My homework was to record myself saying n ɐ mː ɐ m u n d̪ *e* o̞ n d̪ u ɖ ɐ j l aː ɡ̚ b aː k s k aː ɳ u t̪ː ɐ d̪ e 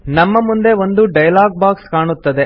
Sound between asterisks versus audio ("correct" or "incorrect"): correct